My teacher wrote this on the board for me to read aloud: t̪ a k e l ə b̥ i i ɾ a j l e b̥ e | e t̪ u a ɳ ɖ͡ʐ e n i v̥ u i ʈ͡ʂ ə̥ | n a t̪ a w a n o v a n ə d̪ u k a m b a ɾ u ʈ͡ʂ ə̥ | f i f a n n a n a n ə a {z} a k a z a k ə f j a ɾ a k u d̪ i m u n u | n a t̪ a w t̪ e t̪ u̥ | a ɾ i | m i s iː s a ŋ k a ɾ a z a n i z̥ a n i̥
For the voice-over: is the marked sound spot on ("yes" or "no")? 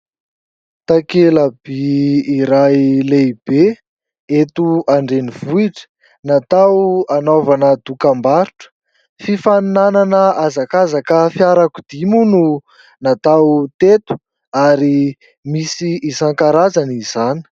yes